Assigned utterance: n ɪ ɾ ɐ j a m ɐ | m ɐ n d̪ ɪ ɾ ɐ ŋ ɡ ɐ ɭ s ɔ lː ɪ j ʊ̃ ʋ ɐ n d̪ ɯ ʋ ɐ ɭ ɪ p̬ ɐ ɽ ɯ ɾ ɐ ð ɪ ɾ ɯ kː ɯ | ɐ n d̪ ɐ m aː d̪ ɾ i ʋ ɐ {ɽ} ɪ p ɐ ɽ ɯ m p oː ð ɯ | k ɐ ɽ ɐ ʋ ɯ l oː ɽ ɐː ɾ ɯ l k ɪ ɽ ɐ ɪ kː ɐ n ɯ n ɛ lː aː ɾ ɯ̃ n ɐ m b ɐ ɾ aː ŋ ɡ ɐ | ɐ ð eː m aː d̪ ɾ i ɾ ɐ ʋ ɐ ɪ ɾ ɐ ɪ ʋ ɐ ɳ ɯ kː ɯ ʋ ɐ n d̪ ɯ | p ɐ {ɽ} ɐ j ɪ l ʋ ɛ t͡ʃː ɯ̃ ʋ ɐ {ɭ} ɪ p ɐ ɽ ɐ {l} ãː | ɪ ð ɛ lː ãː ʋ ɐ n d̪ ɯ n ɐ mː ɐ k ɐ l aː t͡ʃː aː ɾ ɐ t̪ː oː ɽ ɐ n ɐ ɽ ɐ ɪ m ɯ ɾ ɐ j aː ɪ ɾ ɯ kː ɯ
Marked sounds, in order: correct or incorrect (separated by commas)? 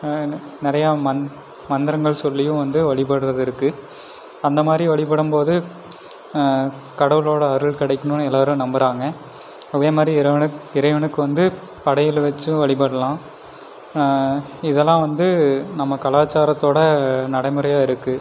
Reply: incorrect, correct, correct, correct